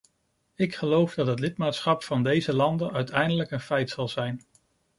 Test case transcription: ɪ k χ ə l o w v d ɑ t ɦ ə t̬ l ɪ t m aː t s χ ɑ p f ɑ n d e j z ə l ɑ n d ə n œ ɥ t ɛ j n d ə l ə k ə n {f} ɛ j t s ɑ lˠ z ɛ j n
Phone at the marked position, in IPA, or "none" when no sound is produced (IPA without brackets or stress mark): f